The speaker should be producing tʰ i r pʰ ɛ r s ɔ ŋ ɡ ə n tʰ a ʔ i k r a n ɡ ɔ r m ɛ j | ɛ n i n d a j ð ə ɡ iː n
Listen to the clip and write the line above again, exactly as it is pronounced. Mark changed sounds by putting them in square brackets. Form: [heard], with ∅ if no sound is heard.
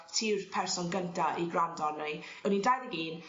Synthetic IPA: tʰ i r pʰ ɛ r s ɔ [n] ɡ ə n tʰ a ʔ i [ɡ] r a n [d] ɔ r [n] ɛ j | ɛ n i n d a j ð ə ɡ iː n